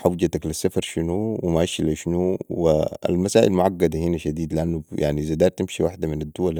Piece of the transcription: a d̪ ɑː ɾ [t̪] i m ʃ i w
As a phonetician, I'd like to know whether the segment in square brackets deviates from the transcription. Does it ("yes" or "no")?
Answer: no